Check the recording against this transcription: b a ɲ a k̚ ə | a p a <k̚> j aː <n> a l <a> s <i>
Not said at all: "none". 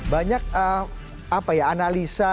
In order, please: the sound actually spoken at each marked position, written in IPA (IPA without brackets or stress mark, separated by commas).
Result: none, n, i, a